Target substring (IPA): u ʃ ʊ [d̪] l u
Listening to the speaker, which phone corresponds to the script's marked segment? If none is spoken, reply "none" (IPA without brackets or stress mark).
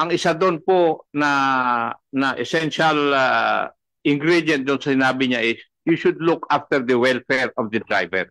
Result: d̪